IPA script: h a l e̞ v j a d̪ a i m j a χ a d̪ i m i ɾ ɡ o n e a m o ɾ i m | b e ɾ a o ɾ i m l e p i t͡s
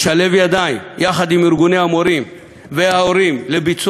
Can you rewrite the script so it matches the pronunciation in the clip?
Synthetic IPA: ʃ a l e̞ v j a d̪ a i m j a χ a d̪ i m i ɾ ɡ u n e a m o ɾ i m | v e a o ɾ i m l e b i t͡s

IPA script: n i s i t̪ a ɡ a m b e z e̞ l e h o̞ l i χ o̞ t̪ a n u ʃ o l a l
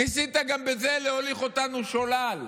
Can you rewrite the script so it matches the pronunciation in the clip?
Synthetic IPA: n i s i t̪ a ɡ a m b e z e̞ l e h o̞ l i χ o̞ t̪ a n u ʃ o l a l

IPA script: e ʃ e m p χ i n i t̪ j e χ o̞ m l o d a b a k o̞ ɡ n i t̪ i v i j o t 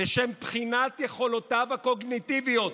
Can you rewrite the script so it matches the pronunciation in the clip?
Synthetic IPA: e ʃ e m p χ i n a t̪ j e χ o̞ l o t a v a k o̞ ɡ n i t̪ i v i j o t

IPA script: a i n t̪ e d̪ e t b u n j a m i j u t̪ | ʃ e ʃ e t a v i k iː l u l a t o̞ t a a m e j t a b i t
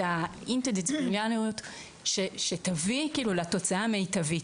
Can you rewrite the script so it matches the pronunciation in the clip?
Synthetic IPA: a i n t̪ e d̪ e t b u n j a n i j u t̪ | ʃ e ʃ e t a v i k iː l u l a t o̞ t͡s a a m e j t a v i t

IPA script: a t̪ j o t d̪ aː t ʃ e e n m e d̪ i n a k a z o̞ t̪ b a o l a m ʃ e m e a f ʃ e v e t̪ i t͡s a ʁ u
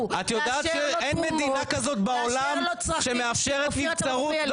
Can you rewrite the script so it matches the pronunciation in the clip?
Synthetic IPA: a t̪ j o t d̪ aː t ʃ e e n m e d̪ i n a k a z o̞ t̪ b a o l a m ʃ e m e a f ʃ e ʁ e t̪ i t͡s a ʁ u

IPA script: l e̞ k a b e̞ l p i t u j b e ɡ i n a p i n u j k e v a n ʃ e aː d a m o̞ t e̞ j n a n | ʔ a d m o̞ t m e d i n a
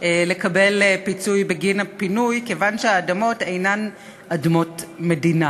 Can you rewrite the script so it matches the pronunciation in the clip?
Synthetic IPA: l e̞ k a b e̞ l p i t͡s u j b e ɡ i n a p i n u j k e v a n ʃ e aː d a m o̞ t e̞ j n a n | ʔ a d m o̞ t m e d i n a

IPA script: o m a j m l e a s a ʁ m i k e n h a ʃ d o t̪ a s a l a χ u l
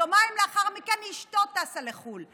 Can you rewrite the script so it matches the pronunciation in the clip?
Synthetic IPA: o m a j m l e a χ a ʁ m i k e n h i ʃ t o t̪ a s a l e χ u l

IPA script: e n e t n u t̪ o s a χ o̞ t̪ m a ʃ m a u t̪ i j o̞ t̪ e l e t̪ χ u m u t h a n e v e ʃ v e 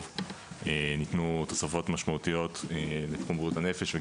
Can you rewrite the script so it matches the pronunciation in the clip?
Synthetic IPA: e n i t n u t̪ o s a f o̞ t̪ m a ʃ m a u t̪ i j o̞ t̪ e l e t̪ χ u m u t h a n e f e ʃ v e

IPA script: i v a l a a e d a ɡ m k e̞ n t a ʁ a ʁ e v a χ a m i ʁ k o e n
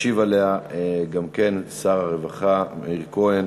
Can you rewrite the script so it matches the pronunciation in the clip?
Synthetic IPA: i v a l e a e ɡ a m k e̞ n s a ʁ a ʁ e v a χ a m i ʁ k o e n

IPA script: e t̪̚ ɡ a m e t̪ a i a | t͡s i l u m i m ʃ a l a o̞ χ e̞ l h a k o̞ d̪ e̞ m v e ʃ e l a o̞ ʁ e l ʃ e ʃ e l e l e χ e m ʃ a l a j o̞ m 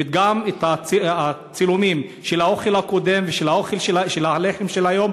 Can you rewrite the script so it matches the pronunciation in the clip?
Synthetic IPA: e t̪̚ ɡ a m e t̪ a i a | t͡s i l u m i m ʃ e l a o̞ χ e̞ l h a k o̞ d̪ e̞ m v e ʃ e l a o̞ χ e l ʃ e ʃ e l a l e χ e m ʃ e l a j o̞ m

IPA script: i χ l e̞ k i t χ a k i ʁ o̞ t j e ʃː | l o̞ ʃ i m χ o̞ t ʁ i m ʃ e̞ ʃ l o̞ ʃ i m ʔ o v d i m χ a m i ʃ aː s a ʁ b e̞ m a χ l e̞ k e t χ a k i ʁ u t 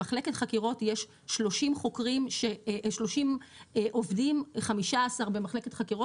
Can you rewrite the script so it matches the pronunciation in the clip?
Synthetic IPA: a χ l e̞ k e t χ a k i ʁ o̞ t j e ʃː | l o̞ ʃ i m χ o̞ k ʁ i m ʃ e̞ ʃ l o̞ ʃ i m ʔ o v d i m χ a m i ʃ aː s a ʁ b e̞ m a χ l e̞ k e t χ a k i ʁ o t

